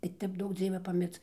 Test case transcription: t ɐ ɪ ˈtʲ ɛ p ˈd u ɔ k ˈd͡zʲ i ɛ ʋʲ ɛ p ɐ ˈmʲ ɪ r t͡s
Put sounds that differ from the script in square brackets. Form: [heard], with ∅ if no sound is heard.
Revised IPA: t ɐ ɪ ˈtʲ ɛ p ˈd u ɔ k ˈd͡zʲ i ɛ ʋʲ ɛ p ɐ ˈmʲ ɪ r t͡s

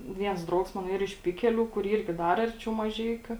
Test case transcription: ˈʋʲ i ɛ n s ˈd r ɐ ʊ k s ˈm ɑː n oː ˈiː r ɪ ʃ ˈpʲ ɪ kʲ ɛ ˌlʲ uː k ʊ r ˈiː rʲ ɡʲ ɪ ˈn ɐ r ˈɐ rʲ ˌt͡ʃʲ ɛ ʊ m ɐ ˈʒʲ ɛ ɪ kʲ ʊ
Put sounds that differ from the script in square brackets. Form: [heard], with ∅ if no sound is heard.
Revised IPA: ˈʋʲ i ɛ n s ˈd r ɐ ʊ k s ˈm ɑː n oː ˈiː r ɪ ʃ ˈpʲ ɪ kʲ ɛ ˌlʲ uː k ʊ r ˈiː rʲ ɡʲ ɪ [ˈd] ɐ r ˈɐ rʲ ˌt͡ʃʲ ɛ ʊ m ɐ ˈʒʲ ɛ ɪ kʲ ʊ

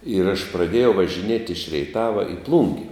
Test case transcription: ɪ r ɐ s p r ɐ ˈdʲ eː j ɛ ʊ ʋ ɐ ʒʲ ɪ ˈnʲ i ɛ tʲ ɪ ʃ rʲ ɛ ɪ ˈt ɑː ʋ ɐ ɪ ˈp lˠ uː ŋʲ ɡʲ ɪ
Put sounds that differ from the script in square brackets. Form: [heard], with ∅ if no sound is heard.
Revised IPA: ɪ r ɐ [ʃ] p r ɐ ˈdʲ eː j ɛ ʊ ʋ ɐ ʒʲ ɪ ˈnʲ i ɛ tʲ ɪ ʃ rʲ ɛ ɪ ˈt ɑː ʋ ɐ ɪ ˈp lˠ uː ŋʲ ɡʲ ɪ

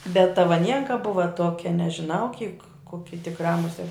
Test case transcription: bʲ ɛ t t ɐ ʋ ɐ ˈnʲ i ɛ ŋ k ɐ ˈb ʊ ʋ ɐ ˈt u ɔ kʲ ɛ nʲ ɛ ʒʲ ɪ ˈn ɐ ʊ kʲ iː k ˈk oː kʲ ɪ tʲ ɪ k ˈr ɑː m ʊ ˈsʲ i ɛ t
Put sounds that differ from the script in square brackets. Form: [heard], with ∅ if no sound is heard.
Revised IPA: bʲ ɛ t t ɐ ʋ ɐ ˈnʲ i ɛ ŋ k ɐ ˈb ʊ ʋ ɐ ˈt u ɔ kʲ ɛ nʲ ɛ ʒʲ ɪ ˈn ɐ ʊ kʲ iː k ˈk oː kʲ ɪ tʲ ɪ k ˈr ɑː m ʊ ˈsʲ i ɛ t

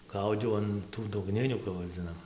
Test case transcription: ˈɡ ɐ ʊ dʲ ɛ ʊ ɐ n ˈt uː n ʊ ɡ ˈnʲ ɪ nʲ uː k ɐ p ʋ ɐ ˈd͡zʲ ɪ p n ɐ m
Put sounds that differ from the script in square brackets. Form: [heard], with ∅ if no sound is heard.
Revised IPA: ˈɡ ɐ ʊ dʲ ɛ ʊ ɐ n ˈt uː [d] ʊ ɡ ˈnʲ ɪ nʲ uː k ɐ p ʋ ɐ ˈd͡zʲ ɪ [∅] n ɐ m

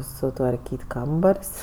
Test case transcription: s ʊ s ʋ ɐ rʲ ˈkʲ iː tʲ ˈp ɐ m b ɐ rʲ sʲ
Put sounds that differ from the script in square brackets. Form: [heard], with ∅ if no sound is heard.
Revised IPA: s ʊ [t] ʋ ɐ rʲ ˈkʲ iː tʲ [ˈk] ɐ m b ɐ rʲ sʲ

